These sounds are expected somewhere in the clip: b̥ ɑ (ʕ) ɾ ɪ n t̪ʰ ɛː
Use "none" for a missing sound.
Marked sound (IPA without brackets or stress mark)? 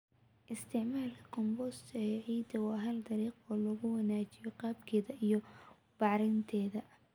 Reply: ʕ